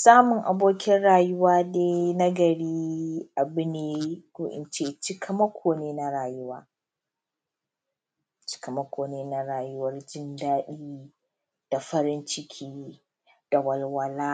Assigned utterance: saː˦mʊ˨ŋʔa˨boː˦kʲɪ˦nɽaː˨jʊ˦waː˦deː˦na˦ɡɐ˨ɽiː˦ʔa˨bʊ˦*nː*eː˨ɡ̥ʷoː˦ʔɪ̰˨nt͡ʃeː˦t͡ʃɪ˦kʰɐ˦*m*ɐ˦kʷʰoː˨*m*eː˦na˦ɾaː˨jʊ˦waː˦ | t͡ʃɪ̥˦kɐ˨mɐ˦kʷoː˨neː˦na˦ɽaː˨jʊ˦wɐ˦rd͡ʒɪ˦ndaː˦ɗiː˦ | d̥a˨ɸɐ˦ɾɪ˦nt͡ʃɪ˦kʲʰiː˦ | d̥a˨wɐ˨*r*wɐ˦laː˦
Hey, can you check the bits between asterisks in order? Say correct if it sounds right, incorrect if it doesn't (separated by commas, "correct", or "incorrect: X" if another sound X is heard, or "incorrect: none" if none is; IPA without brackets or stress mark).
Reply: incorrect: n, correct, incorrect: n, incorrect: l